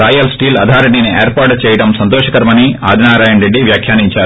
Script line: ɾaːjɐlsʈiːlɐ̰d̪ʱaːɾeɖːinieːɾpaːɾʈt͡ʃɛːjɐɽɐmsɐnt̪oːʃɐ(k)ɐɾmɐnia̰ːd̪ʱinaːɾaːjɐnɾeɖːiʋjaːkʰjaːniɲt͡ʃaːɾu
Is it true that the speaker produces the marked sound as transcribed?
yes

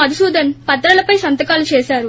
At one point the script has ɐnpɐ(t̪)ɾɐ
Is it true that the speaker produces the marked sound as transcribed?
yes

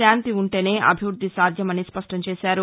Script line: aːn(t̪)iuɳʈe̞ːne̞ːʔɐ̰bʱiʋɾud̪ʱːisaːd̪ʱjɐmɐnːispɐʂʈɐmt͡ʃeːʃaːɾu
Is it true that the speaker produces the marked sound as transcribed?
yes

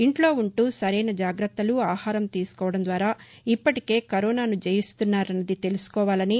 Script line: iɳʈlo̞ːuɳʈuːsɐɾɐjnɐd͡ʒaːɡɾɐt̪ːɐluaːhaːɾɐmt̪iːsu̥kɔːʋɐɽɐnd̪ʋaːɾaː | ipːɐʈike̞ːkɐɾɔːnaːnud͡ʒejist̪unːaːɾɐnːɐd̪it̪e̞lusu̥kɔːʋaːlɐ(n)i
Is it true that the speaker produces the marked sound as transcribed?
yes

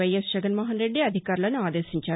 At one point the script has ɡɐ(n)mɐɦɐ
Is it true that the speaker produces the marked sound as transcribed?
yes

